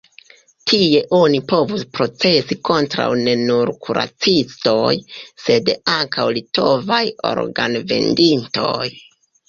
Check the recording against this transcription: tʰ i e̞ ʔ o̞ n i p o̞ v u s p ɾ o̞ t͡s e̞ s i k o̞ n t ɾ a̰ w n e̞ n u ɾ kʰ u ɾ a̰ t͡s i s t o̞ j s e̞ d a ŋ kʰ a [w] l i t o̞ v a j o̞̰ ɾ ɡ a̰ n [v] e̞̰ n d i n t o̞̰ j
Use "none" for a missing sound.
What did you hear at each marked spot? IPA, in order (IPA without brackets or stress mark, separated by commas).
w, v